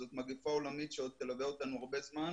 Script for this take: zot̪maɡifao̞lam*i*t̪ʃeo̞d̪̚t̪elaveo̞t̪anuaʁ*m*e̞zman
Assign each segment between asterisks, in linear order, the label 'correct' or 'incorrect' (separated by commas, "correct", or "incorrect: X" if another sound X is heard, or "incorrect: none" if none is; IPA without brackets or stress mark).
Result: correct, incorrect: b